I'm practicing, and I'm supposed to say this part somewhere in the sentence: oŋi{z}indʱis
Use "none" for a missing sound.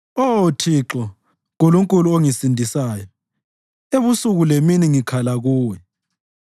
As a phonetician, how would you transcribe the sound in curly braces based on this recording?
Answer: s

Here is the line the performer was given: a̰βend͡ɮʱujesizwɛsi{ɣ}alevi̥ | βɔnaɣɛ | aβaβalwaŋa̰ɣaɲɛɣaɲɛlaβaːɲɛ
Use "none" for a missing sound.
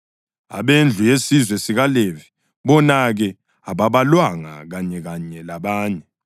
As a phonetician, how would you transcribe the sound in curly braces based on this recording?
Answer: ɣ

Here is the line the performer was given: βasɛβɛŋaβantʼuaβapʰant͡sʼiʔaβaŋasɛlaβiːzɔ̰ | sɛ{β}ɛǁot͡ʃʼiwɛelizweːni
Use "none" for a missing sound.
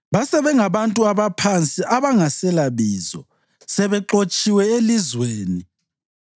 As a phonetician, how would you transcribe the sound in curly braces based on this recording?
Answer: β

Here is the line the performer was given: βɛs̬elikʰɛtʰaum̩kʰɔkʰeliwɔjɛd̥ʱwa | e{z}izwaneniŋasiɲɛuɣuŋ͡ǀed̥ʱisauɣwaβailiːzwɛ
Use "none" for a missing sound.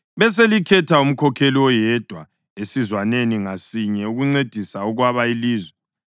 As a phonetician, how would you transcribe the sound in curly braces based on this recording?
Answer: s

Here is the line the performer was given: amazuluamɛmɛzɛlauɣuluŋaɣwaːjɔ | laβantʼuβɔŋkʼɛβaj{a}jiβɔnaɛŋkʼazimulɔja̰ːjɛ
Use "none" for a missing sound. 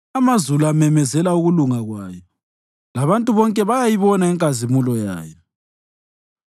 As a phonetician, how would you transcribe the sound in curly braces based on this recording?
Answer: a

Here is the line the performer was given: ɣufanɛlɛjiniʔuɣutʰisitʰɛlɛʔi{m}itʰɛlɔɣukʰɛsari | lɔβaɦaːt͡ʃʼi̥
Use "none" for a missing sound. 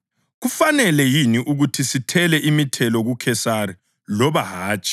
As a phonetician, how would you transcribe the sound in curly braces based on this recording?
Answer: m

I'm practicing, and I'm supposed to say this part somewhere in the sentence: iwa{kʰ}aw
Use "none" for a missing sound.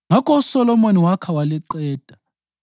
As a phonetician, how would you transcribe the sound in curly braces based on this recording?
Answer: kʰ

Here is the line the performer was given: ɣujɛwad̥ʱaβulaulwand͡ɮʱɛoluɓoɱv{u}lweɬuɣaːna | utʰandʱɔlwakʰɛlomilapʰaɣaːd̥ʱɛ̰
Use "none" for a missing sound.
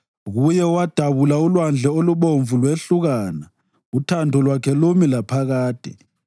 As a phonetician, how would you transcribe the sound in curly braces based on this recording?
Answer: u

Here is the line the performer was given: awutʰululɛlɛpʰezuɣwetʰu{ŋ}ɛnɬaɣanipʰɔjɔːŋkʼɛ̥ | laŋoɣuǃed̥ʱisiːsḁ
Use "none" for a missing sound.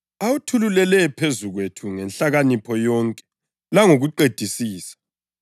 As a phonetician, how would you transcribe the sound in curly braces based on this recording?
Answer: ŋ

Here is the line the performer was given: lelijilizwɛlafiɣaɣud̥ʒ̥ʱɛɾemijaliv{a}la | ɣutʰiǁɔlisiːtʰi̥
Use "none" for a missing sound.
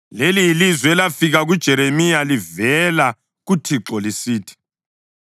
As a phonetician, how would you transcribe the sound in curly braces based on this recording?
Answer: ɛ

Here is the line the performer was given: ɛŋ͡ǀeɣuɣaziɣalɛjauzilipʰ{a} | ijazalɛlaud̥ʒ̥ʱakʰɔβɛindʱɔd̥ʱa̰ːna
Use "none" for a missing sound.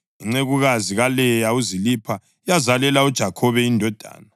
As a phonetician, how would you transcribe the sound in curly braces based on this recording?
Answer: a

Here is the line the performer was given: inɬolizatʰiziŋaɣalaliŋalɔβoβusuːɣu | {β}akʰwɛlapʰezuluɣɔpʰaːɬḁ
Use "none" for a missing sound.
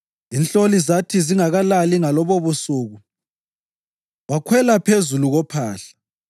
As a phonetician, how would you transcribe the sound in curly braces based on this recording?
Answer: w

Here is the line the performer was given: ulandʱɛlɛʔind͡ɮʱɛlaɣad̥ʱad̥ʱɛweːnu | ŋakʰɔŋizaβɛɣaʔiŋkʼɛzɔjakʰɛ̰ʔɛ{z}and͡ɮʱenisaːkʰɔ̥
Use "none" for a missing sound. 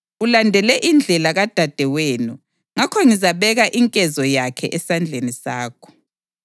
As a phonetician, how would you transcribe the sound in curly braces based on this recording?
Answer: s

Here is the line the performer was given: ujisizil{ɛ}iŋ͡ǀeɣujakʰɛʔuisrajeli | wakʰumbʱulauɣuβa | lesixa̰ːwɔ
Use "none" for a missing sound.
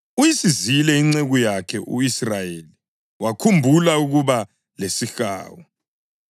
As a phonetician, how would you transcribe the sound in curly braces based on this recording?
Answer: ɛ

